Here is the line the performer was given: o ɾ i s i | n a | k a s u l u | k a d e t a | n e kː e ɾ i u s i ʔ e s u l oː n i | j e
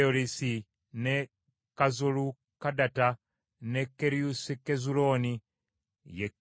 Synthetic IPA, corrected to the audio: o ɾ i s i | n e | k a z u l u | k a d a t a | n e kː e ɾ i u s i k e z u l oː n i | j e